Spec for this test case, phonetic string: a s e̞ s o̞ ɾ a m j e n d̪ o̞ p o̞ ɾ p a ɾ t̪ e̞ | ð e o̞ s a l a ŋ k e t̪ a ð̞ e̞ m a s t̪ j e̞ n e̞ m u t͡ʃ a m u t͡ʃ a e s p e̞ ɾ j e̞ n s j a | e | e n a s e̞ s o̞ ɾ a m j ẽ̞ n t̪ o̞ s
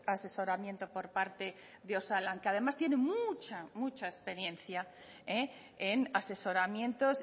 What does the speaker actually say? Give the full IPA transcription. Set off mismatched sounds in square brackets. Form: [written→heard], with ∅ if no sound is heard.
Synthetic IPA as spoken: a s e̞ s o̞ ɾ a m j e n [d̪→t̪] o̞ p o̞ ɾ p a ɾ t̪ e̞ | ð e o̞ s a l a ŋ k e [t̪→∅] a ð̞ e̞ m a s t̪ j e̞ n e̞ m u t͡ʃ a m u t͡ʃ a e s p e̞ ɾ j e̞ n [s→θ] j a | e | e n a s e̞ s o̞ ɾ a m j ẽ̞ n t̪ o̞ s